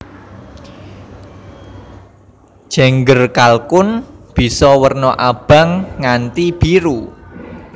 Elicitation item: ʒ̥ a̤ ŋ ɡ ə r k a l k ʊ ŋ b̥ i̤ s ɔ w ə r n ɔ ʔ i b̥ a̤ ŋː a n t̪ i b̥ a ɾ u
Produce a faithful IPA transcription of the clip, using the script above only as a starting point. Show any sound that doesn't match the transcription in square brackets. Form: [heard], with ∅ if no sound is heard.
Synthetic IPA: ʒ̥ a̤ ŋ ɡ ə r k a l k ʊ [n] b̥ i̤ s ɔ w ə r n ɔ ʔ [a] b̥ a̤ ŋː a n t̪ i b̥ [i] ɾ u

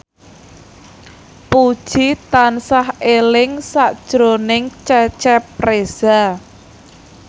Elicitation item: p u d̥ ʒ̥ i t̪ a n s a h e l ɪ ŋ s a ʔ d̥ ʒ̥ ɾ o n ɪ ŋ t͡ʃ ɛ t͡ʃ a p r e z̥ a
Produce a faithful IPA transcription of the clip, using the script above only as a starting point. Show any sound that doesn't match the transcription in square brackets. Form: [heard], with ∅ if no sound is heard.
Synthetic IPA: p u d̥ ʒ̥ i t̪ a n s a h e l ɪ ŋ s a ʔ d̥ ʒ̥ ɾ o n ɪ ŋ t͡ʃ ɛ t͡ʃ [ɛ] p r e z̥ a

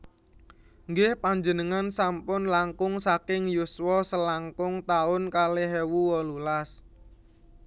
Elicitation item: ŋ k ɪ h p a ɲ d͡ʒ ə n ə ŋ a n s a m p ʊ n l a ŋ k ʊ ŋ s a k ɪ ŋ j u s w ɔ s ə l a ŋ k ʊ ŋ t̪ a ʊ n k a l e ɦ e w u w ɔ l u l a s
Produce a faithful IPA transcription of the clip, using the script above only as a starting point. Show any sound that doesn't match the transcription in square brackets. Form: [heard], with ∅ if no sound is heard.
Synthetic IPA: ŋ [ɡ] ɪ h p a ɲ d͡ʒ ə n ə ŋ a n s a m p ʊ n l a ŋ k ʊ ŋ s a k ɪ ŋ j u s w ɔ s ə l a ŋ k ʊ ŋ t̪ a ʊ n k a l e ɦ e w u w ɔ l u l a s

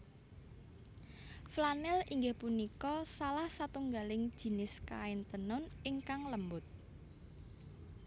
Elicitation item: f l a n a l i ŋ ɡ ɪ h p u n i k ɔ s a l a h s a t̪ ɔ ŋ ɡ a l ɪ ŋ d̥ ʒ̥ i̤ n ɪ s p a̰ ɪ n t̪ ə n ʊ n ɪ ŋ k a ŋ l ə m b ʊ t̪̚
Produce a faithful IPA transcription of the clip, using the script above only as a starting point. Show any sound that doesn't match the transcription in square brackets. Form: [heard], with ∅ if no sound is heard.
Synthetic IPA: f l a n [ɛ] l i ŋ ɡ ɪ h p u n i k ɔ s a l a h s a t̪ [u] ŋ ɡ a l ɪ ŋ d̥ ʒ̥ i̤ n ɪ s [k] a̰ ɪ n t̪ ə n ʊ n ɪ ŋ k a ŋ l ə m b ʊ t̪̚

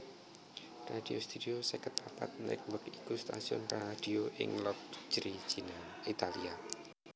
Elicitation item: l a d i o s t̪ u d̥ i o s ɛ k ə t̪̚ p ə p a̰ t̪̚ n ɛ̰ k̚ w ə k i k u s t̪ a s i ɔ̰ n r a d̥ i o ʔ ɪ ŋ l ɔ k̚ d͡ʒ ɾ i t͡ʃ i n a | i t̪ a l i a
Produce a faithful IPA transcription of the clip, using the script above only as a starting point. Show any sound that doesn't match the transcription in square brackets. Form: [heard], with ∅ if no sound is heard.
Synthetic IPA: [r] a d i o s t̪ u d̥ i o s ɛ k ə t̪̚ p [a] p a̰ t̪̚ n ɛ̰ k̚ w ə k i k u s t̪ a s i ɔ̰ n r a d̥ i o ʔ ɪ ŋ l ɔ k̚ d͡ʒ ɾ i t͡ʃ i n a | i t̪ a l i a

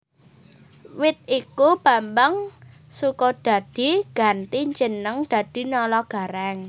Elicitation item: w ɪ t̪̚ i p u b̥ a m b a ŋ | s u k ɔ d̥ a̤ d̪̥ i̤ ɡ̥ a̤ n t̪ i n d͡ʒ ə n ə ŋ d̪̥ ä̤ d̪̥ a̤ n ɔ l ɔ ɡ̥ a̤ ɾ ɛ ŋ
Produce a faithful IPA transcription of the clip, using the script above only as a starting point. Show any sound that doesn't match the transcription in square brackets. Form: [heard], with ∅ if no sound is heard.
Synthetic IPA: w ɪ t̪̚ i [k] u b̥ a m b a ŋ | s u k ɔ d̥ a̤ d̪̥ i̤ ɡ̥ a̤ n t̪ i [ɲ] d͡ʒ ə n ə ŋ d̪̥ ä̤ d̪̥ [i̤] n ɔ l ɔ ɡ̥ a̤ ɾ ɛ ŋ

